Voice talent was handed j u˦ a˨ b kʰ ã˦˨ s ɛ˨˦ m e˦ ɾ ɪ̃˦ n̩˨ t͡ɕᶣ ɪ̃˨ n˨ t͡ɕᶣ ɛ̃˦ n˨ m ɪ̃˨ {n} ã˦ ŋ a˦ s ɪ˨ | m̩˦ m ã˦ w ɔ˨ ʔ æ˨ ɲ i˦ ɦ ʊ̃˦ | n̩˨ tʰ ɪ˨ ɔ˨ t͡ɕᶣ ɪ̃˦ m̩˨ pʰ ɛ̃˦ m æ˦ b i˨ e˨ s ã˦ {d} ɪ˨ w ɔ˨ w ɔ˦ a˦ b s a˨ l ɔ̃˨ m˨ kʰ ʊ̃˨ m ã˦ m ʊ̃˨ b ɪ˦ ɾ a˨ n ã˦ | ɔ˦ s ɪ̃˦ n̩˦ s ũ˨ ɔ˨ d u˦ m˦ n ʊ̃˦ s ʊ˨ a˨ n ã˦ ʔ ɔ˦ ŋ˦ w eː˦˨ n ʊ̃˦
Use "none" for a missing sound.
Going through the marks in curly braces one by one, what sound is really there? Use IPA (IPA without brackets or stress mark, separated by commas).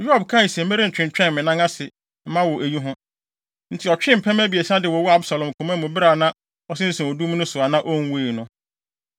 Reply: n, d